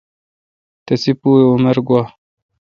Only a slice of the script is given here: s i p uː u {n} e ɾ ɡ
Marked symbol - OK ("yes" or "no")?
no